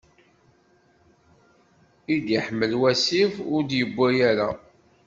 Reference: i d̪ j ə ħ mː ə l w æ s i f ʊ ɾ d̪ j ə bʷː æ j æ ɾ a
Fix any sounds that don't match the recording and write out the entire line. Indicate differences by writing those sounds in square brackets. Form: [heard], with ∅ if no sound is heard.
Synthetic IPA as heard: i d̪ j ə ħ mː ə l w æ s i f ʊ ɾ d̪ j ə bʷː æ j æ ɾ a

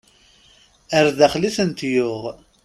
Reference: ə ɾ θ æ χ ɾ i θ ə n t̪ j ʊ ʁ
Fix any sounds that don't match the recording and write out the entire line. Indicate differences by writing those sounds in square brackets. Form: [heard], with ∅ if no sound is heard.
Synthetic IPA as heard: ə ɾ [ð] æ χ [l] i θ ə n t̪ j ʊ ʁ

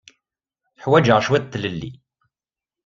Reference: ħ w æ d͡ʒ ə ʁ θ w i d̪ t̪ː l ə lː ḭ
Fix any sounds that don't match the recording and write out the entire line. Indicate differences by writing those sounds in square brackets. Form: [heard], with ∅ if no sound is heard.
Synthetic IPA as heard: ħ w æ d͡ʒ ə ʁ [ʃ] w [æ] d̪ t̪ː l ə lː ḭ

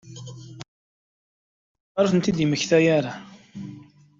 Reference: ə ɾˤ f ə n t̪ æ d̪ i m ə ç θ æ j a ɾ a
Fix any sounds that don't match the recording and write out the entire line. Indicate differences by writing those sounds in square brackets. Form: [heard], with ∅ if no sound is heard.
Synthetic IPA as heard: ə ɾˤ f ə n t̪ [i] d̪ i m ə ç θ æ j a ɾ a

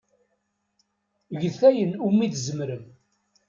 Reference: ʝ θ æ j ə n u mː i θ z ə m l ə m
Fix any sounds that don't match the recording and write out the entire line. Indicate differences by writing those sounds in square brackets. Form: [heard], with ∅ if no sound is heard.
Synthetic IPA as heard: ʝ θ æ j ə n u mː i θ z ə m [ɾ] ə m

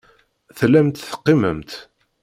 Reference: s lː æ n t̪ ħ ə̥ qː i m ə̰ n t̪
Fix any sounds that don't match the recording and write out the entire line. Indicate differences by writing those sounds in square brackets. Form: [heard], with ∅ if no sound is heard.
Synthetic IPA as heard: [θ] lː æ [m] t̪ [θ] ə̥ qː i m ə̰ [m] t̪

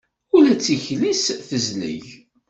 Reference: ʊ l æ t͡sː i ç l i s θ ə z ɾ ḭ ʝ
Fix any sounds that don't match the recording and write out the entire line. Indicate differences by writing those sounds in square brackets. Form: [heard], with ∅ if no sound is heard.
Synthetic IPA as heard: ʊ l æ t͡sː i ç l i s θ ə z [l] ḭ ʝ

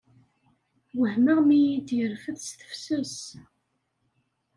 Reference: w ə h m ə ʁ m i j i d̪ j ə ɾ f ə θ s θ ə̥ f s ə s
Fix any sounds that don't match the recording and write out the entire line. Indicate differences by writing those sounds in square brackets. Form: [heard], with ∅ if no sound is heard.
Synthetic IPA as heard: w ə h m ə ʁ m i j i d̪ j ə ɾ f ə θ s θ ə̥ f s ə s

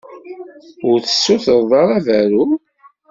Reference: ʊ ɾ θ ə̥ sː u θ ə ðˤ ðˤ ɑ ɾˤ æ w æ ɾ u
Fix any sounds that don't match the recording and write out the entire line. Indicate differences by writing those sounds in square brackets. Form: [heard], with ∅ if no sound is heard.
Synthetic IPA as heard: ʊ ɾ θ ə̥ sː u θ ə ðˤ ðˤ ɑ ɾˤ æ [v] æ ɾ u

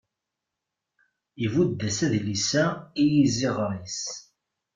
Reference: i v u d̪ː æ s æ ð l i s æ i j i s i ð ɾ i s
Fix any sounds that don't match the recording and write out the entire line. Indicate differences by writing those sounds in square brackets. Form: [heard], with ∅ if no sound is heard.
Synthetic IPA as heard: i v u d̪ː æ s æ ð l i s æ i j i [z] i [ʁ] ɾ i s

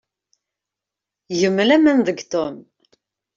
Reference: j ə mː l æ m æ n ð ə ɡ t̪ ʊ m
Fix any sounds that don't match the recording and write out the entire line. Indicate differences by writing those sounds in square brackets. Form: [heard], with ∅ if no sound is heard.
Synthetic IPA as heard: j ə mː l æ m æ n ð ə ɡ t̪ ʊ m

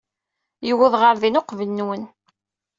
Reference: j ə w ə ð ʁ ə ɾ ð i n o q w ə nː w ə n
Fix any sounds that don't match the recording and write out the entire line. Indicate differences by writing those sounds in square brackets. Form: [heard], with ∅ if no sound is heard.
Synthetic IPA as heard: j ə w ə ð ʁ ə ɾ ð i n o q [v] ə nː w ə n

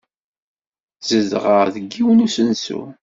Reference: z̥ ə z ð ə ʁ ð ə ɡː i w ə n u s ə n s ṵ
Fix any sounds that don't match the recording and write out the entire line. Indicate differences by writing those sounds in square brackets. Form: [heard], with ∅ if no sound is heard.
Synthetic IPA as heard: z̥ ə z [ʁ] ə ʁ ð ə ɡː i w ə n u s ə n s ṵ

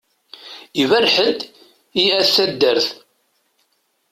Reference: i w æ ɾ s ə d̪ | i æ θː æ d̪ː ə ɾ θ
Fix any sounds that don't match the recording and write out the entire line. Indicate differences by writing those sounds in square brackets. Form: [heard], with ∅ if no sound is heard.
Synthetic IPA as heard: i [v] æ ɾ [ħ] ə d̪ | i æ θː æ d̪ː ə ɾ θ

